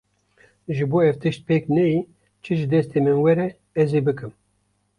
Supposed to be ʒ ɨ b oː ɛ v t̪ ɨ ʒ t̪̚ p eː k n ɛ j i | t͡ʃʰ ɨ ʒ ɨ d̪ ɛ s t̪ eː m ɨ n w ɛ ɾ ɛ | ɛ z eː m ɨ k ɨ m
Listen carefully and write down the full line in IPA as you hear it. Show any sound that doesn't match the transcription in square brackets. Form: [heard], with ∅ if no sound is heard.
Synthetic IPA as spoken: ʒ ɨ b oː ɛ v t̪ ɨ [ʃ] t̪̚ p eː k n ɛ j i | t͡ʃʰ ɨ ʒ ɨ d̪ ɛ s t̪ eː m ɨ n w ɛ ɾ ɛ | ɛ z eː [b] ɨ k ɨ m